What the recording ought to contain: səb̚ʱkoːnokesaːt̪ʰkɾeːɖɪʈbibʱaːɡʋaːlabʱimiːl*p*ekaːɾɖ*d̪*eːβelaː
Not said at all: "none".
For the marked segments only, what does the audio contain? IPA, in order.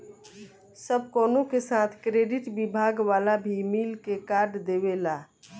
k, d̪

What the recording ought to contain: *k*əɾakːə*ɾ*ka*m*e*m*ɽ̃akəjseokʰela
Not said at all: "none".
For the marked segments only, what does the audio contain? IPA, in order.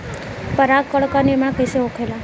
p, ɭ, n, m

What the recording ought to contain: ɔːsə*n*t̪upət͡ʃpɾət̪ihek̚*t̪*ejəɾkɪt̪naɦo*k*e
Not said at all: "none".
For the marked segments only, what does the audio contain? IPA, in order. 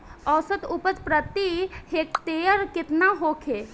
none, t̪, kʰ

